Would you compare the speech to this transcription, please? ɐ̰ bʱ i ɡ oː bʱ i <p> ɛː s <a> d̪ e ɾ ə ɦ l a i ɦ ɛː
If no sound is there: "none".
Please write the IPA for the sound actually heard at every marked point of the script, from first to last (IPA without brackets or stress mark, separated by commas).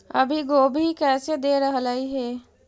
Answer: k, e